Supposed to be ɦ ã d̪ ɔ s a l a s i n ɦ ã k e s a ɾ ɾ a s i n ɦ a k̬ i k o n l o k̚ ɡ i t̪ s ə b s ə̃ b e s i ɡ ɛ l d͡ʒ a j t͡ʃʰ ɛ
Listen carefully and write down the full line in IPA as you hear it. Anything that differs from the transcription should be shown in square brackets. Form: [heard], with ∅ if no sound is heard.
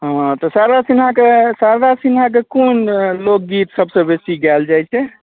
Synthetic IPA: ɦ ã [t̪] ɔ s a [ɾ] a s i n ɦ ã k e s a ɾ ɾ a s i n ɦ a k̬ [e] k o n l o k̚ ɡ i t̪ s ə b s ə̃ b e s i ɡ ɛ l d͡ʒ a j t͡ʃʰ ɛ